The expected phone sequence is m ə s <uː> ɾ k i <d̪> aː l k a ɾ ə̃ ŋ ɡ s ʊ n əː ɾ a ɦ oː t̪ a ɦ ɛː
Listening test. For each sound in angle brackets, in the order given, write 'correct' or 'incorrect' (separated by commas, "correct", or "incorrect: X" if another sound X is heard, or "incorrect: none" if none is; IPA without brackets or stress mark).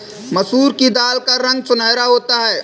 correct, correct